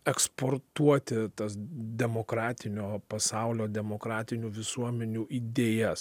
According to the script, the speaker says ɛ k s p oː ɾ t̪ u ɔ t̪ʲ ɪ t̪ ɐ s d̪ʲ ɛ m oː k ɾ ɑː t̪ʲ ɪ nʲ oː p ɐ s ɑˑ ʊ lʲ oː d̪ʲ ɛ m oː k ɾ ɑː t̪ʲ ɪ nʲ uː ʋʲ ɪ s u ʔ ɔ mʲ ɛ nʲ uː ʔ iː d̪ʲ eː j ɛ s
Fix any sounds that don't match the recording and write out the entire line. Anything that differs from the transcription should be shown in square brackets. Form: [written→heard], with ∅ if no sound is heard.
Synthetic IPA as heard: ɛ k s p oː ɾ t̪ u ɔ t̪ʲ ɪ t̪ ɐ s d̪ʲ ɛ m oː k ɾ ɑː t̪ʲ ɪ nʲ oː p ɐ s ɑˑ ʊ lʲ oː d̪ʲ ɛ m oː k ɾ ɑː t̪ʲ ɪ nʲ uː ʋʲ ɪ s u [ʔ→∅] ɔ mʲ ɛ nʲ uː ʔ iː d̪ʲ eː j ɛ s

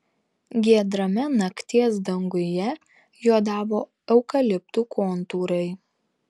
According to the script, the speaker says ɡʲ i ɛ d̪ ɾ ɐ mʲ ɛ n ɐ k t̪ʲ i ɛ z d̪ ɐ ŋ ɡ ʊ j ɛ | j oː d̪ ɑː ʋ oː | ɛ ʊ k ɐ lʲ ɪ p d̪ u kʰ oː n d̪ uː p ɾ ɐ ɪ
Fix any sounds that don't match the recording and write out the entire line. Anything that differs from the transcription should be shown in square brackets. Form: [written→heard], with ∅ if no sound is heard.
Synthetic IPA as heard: ɡʲ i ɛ d̪ ɾ ɐ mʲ ɛ n ɐ k t̪ʲ i ɛ [z→s] d̪ ɐ ŋ ɡ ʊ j ɛ | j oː d̪ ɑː ʋ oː | ɛ ʊ k ɐ lʲ ɪ p [d̪→t̪] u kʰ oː n [d̪→t̪] uː [p→∅] ɾ ɐ ɪ

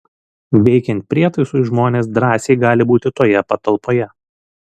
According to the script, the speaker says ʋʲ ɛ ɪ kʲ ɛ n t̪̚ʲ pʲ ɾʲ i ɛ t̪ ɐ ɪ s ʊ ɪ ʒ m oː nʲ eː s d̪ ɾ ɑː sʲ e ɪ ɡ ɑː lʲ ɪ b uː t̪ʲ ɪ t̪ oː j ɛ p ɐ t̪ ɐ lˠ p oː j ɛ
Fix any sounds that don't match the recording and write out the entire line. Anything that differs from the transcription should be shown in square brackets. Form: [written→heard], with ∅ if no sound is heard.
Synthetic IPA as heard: ʋʲ ɛ ɪ kʲ ɛ n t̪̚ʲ pʲ ɾʲ i ɛ t̪ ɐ ɪ s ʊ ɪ ʒ m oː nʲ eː s d̪ ɾ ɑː sʲ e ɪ ɡ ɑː lʲ ɪ b uː t̪ʲ ɪ t̪ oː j ɛ p ɐ t̪ ɐ lˠ p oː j ɛ

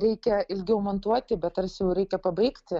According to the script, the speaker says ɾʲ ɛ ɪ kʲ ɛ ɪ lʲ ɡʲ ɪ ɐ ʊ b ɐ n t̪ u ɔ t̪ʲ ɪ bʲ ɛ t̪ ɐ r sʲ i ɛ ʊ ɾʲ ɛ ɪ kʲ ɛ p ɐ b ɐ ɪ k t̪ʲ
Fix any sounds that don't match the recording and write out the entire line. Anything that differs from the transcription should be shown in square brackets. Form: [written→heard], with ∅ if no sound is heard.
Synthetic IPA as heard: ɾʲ ɛ ɪ kʲ ɛ ɪ lʲ ɡʲ ɪ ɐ ʊ [b→m] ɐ n t̪ u ɔ t̪ʲ ɪ bʲ ɛ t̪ ɐ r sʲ [i→j] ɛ ʊ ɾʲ ɛ ɪ kʲ ɛ p ɐ b ɐ ɪ k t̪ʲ

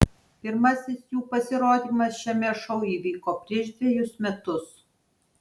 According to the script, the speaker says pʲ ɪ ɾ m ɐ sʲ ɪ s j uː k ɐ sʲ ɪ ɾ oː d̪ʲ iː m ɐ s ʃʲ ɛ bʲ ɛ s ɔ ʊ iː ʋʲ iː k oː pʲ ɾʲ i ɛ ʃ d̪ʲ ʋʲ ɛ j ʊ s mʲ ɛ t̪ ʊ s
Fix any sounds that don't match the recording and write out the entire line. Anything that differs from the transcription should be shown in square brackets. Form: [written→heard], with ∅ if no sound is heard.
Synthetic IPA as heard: pʲ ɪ ɾ m ɐ sʲ ɪ s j uː [k→p] ɐ sʲ ɪ ɾ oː d̪ʲ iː m ɐ s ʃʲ ɛ [bʲ→mʲ] ɛ [s→ʃ] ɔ ʊ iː ʋʲ iː k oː pʲ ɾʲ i ɛ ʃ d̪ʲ ʋʲ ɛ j ʊ s mʲ ɛ t̪ ʊ s

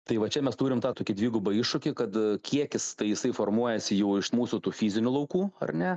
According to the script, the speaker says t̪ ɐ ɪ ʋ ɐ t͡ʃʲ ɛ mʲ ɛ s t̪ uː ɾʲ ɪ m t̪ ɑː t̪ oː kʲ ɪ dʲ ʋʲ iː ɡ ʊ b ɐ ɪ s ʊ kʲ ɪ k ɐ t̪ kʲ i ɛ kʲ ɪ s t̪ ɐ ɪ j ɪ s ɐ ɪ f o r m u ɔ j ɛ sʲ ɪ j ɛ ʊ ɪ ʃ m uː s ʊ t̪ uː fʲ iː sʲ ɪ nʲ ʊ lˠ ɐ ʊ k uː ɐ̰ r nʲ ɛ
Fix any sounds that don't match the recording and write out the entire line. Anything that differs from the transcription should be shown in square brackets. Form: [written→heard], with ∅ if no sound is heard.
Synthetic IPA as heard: t̪ ɐ ɪ ʋ ɐ t͡ʃʲ ɛ mʲ ɛ s t̪ uː ɾʲ ɪ m t̪ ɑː t̪ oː kʲ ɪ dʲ ʋʲ iː ɡ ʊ b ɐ ɪ [s→ʃ] ʊ kʲ ɪ k ɐ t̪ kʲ i ɛ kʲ ɪ s t̪ ɐ ɪ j ɪ s ɐ ɪ f o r m u ɔ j ɛ sʲ ɪ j ɛ ʊ ɪ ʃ m uː s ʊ t̪ uː fʲ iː [sʲ→zʲ] ɪ nʲ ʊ lˠ ɐ ʊ k uː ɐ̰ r nʲ ɛ

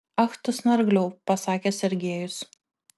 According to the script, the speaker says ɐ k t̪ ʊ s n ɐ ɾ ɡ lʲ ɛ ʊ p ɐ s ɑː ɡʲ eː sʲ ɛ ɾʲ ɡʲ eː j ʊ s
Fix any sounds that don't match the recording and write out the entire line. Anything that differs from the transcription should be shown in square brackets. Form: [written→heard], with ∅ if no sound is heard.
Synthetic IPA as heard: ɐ [k→x] t̪ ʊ s n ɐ ɾ ɡ lʲ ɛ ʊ p ɐ s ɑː [ɡʲ→kʲ] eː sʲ ɛ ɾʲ ɡʲ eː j ʊ s

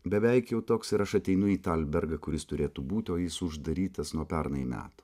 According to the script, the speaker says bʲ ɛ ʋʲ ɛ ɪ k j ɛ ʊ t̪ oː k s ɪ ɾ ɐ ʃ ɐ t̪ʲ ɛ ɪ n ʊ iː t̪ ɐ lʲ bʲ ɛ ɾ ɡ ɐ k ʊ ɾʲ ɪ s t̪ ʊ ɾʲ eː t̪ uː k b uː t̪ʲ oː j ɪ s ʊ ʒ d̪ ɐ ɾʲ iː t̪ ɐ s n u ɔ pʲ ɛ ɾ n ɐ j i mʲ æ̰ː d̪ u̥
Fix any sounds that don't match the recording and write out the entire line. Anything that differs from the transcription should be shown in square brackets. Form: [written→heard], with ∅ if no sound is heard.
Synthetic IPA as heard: bʲ ɛ ʋʲ ɛ ɪ k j ɛ ʊ t̪ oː k s ɪ ɾ ɐ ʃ ɐ t̪ʲ ɛ ɪ n ʊ iː t̪ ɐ lʲ bʲ ɛ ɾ ɡ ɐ k ʊ ɾʲ ɪ s t̪ ʊ ɾʲ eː t̪ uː [k→∅] b uː t̪ʲ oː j ɪ s ʊ ʒ d̪ ɐ ɾʲ iː t̪ ɐ s n u ɔ pʲ ɛ ɾ n ɐ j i mʲ æ̰ː [d̪→t̪] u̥

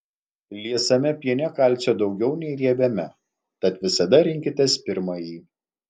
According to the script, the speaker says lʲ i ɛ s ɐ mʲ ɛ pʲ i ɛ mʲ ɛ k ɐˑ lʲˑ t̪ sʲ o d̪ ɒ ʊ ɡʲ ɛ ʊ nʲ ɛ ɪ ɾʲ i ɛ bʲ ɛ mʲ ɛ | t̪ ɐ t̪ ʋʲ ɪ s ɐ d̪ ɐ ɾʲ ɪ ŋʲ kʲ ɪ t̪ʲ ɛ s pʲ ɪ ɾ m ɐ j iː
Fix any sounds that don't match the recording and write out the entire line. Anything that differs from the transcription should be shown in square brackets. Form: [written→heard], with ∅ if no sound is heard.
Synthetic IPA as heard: lʲ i ɛ s ɐ mʲ ɛ pʲ i ɛ [mʲ→nʲ] ɛ k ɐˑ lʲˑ t̪ sʲ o d̪ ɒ ʊ ɡʲ ɛ ʊ nʲ ɛ ɪ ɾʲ i ɛ bʲ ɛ mʲ ɛ | t̪ ɐ t̪ ʋʲ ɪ s ɐ d̪ ɐ ɾʲ ɪ ŋʲ kʲ ɪ t̪ʲ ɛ s pʲ ɪ ɾ m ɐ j iː

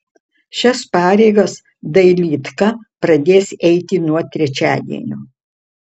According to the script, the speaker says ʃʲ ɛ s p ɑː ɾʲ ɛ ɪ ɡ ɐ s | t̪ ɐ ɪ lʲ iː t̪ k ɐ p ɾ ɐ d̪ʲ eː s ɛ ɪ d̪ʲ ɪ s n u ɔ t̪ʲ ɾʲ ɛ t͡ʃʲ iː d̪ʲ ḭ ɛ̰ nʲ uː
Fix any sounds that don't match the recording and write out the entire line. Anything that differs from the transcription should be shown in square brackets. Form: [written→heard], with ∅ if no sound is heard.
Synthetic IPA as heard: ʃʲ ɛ s p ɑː ɾʲ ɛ ɪ ɡ ɐ s | [t̪→d̪] ɐ ɪ lʲ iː t̪ k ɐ p ɾ ɐ d̪ʲ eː s ɛ ɪ [d̪ʲ→t̪ʲ] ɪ [s→∅] n u ɔ t̪ʲ ɾʲ ɛ t͡ʃʲ [iː→æː] d̪ʲ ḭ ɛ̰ nʲ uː

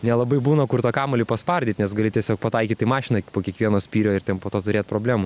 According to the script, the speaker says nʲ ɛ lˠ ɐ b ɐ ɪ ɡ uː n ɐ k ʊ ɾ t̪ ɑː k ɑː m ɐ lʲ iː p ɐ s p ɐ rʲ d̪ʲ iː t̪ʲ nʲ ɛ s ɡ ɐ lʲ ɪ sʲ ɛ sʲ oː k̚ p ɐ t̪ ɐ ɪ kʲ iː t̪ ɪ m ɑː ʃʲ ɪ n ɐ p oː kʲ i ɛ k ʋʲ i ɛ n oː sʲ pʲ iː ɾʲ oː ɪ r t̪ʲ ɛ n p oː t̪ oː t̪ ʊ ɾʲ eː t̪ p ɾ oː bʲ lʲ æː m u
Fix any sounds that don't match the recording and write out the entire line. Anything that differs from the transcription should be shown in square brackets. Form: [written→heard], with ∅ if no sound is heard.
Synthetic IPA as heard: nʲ ɛ lˠ ɐ b ɐ ɪ [ɡ→b] uː n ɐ k ʊ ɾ t̪ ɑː k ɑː m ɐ lʲ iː p ɐ s p ɐ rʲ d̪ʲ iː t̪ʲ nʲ ɛ s ɡ ɐ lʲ ɪ [sʲ→tʲ] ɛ sʲ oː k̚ p ɐ t̪ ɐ ɪ kʲ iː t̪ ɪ m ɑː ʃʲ ɪ n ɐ p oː kʲ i ɛ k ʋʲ i ɛ n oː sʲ pʲ iː ɾʲ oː ɪ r t̪ʲ ɛ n p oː t̪ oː t̪ ʊ ɾʲ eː t̪ p ɾ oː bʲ lʲ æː m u

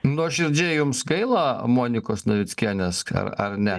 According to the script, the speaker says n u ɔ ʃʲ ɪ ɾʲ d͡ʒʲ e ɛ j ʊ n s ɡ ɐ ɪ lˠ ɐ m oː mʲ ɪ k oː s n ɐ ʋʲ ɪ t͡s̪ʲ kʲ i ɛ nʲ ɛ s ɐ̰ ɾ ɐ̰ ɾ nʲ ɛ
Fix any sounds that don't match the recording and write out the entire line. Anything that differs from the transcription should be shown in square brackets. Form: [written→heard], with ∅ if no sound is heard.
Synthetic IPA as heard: n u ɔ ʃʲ ɪ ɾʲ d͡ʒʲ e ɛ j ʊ [n→m] s ɡ ɐ ɪ lˠ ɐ m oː [mʲ→nʲ] ɪ k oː s n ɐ ʋʲ ɪ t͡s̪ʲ kʲ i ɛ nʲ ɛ s ɐ̰ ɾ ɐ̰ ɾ nʲ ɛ

